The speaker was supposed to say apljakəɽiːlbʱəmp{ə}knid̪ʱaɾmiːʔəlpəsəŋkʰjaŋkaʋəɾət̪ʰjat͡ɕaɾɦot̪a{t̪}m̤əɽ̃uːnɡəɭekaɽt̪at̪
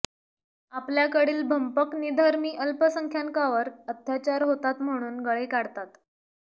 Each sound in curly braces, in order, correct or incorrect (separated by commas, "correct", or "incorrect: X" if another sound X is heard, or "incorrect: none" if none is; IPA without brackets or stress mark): correct, correct